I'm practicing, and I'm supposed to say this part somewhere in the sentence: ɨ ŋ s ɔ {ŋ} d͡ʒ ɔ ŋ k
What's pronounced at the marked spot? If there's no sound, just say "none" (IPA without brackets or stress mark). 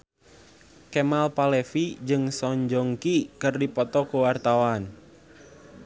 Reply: ɲ